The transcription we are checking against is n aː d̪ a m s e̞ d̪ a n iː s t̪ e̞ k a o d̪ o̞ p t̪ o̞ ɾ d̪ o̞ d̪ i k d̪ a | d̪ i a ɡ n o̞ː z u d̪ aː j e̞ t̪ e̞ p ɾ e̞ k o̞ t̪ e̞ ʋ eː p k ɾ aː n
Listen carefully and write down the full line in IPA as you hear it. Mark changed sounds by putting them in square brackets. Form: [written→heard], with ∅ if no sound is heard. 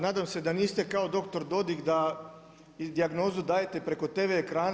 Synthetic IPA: n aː d̪ a m s e̞ d̪ a n iː s t̪ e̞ k a o d̪ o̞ [p→k] t̪ o̞ ɾ d̪ o̞ d̪ i k d̪ a | d̪ i a ɡ n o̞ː z u d̪ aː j e̞ t̪ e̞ p ɾ e̞ k o̞ t̪ e̞ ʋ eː [p→∅] k ɾ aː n